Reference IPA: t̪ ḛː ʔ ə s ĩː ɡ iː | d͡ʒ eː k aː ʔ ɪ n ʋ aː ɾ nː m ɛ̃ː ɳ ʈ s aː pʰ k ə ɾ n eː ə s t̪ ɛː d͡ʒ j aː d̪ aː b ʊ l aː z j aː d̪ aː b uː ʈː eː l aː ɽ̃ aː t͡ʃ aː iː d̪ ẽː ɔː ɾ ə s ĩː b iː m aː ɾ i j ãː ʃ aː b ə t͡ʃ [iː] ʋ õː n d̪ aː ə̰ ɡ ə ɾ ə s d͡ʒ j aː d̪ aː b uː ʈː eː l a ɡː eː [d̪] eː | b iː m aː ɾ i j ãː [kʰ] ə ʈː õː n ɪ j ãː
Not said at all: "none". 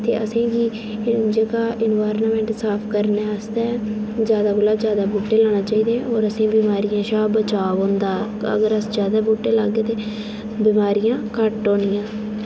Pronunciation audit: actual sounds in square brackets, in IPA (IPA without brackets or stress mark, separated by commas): aː, t̪, k